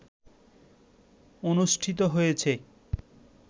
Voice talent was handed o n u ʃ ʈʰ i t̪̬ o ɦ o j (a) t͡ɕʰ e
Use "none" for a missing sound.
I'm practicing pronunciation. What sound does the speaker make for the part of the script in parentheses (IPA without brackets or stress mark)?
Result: e